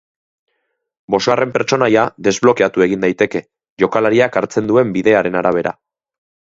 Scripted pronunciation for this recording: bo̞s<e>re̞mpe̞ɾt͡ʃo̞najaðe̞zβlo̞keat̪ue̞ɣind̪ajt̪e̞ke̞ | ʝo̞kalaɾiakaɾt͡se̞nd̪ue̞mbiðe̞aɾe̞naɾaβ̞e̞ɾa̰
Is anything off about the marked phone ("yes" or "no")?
yes